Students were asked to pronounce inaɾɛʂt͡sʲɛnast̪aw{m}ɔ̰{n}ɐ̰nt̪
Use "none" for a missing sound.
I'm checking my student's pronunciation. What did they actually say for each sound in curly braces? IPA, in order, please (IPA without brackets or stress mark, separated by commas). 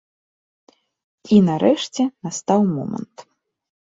m, m